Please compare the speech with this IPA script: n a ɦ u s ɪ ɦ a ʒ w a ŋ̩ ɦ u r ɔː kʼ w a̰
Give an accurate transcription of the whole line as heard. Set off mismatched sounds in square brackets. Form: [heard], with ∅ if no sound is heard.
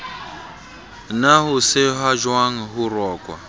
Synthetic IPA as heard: n a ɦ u s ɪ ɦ a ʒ w a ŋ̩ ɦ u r ɔː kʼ w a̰